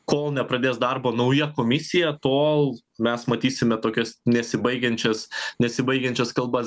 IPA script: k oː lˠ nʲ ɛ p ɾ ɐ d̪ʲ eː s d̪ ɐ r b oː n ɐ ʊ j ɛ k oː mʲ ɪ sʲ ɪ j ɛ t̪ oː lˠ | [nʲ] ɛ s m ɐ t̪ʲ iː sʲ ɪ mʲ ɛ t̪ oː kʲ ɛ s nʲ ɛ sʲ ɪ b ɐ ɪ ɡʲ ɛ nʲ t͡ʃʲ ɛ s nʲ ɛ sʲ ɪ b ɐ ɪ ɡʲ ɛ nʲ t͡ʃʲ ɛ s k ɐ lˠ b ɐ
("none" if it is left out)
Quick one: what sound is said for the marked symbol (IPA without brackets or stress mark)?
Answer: mʲ